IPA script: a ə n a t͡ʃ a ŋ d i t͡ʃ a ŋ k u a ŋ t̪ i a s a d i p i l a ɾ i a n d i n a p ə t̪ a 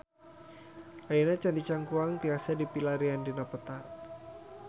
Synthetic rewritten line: a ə n a t͡ʃ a n d i t͡ʃ a ŋ k u a ŋ t̪ i a s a d i p i l a ɾ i a n d i n a p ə t̪ a

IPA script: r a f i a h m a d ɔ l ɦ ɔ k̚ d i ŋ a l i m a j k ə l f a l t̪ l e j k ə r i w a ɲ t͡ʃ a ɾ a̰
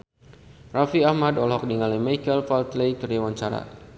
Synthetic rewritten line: r a f i a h m a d ɔ l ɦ ɔ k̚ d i ŋ a l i m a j k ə l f a l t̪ l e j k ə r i w a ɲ t͡ʃ a ɾ a̰

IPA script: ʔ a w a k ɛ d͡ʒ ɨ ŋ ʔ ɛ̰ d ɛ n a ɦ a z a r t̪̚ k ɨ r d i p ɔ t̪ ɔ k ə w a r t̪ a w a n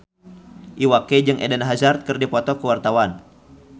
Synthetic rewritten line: ʔ i w a k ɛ d͡ʒ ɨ ŋ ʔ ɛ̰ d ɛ n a ɦ a z a r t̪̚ k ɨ r d i p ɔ t̪ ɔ k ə w a r t̪ a w a n

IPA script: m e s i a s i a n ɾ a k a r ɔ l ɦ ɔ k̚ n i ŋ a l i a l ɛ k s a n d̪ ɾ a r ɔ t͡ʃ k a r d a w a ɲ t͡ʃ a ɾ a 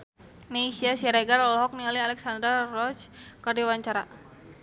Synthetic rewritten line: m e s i a s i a ɾ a ɡ a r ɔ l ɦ ɔ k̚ n i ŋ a l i a l ɛ k s a n d̪ ɾ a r ɔ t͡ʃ k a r d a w a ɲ t͡ʃ a ɾ a

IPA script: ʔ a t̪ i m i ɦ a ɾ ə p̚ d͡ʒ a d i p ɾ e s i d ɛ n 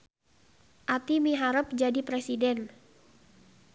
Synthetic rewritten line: ʔ a t̪ i m i ɦ a ɾ ə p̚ d͡ʒ a d i p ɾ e s i d ɛ n

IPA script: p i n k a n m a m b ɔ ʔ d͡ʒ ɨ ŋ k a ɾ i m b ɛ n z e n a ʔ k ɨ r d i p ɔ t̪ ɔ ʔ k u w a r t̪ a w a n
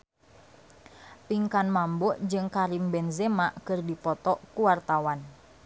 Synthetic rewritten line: p i ŋ k a n m a m b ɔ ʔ d͡ʒ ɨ ŋ k a ɾ i m b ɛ n z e m a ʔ k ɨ r d i p ɔ t̪ ɔ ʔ k u w a r t̪ a w a n

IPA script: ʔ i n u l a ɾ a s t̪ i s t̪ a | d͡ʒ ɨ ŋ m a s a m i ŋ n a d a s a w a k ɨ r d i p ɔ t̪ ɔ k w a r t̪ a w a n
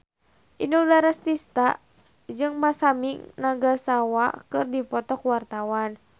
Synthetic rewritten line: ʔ i n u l a ɾ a s t̪ i s t̪ a | d͡ʒ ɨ ŋ m a s a m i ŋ n a ɡ a s a w a k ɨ r d i p ɔ t̪ ɔ k w a r t̪ a w a n

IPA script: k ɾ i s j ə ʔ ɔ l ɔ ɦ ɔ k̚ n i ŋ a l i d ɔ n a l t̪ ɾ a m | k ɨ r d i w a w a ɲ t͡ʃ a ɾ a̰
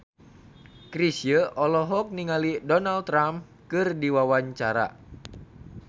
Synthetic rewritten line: k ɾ i s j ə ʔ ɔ l ɔ ɦ ɔ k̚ n i ŋ a l i d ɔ n a l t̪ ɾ a m | k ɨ r d i w a w a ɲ t͡ʃ a ɾ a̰

